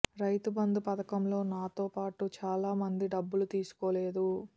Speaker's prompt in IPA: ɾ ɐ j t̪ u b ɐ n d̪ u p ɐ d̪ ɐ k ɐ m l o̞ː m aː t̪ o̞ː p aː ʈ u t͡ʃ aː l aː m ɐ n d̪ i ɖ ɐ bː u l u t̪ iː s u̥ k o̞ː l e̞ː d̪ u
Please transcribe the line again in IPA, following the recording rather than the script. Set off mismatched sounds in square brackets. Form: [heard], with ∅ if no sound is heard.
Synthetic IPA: ɾ ɐ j t̪ u b ɐ n d̪ u p ɐ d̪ ɐ k ɐ m l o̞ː [n] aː t̪ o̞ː p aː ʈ u t͡ʃ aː l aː m ɐ n d̪ i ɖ ɐ bː u l u t̪ iː s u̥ k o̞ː l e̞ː d̪ u